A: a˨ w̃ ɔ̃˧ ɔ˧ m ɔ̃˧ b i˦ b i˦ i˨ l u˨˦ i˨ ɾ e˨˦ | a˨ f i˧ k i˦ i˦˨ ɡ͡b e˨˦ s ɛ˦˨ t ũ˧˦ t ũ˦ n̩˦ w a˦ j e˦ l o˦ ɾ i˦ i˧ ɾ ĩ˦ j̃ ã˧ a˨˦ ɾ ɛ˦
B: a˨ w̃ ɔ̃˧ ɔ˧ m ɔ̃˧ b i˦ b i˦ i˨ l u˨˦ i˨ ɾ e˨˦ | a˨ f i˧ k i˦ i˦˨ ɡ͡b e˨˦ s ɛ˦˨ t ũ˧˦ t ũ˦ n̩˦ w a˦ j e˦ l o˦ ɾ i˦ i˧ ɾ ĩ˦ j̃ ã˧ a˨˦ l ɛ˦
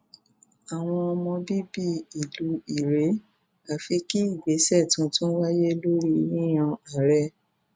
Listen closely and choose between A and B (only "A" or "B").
A